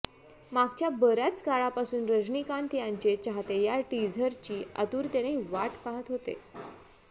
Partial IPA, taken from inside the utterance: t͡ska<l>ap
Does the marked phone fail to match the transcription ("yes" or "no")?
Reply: yes